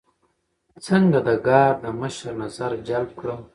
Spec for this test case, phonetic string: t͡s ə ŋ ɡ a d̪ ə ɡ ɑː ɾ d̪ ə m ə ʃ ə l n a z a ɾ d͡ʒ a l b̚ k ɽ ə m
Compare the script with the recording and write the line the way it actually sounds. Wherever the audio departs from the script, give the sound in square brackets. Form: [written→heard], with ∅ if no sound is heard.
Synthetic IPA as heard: t͡s ə ŋ ɡ a d̪ ə ɡ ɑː ɾ d̪ ə m ə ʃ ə [l→ɾ] n a z a ɾ d͡ʒ a l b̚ k ɽ ə m